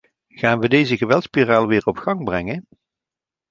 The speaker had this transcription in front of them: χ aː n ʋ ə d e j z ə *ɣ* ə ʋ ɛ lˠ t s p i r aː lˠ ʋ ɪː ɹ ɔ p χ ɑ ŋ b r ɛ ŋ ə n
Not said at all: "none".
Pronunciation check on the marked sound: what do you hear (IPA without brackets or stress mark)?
ɣ